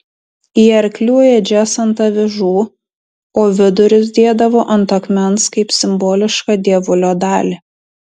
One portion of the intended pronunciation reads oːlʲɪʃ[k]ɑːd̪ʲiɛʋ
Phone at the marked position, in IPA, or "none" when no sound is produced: k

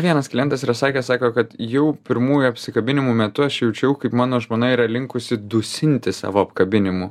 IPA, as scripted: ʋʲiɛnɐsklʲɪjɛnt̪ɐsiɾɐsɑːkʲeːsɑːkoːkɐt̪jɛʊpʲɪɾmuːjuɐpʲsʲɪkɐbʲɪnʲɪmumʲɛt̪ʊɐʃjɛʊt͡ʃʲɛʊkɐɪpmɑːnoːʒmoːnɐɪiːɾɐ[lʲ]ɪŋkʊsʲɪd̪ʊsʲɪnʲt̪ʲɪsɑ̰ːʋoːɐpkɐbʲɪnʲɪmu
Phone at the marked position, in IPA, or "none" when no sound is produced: lʲ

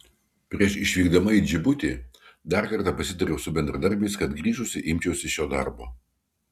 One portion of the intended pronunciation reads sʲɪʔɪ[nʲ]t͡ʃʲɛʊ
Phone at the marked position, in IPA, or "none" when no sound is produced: mʲ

